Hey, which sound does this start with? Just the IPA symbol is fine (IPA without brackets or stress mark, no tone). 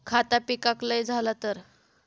kʰ